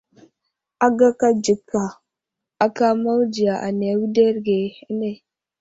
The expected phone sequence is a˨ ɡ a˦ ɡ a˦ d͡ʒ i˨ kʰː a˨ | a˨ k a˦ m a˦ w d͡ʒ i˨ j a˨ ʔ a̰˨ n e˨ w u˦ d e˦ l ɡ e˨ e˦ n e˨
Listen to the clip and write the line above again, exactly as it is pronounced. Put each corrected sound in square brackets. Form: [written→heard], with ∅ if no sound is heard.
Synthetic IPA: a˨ ɡ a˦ [ɡ→k] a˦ d͡ʒ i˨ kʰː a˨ | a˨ k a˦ m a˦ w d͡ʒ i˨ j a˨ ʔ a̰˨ n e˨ w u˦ d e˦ [l→ɾ] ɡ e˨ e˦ n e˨